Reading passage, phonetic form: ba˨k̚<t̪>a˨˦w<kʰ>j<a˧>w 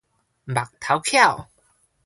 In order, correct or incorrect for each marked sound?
incorrect: t̪ʰ, correct, incorrect: a˥˨

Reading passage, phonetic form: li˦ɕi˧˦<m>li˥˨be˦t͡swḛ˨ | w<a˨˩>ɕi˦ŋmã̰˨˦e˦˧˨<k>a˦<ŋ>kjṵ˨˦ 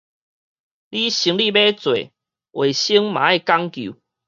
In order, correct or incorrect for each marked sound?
incorrect: ŋ, incorrect: e˨˩, correct, correct

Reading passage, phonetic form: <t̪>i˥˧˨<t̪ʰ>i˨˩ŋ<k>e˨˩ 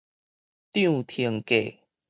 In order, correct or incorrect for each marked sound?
correct, correct, correct

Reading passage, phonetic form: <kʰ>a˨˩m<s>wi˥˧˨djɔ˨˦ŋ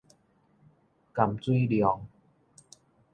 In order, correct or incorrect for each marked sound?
incorrect: k, incorrect: t͡s

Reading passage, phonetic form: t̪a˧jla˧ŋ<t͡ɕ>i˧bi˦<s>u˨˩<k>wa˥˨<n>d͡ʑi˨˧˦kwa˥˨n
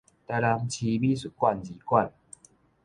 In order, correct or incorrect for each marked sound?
incorrect: t͡ɕʰ, correct, correct, correct

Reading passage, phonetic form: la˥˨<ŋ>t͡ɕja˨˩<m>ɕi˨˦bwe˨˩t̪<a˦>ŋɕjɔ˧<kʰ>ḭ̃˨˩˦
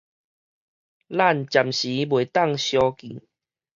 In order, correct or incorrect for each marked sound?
incorrect: n, correct, incorrect: a˥˨, incorrect: k

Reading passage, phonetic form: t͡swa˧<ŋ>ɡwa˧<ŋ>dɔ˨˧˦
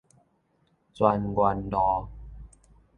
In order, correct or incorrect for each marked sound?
incorrect: n, incorrect: n

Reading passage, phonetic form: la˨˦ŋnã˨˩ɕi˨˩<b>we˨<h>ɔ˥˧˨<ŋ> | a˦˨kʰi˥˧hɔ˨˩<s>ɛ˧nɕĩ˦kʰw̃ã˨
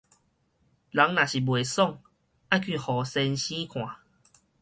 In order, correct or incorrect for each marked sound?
correct, incorrect: s, correct, correct

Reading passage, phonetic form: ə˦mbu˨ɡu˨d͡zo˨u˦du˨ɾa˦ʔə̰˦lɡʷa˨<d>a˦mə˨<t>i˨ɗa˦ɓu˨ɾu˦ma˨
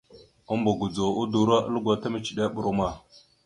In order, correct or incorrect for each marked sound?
incorrect: t, incorrect: t͡ʃ

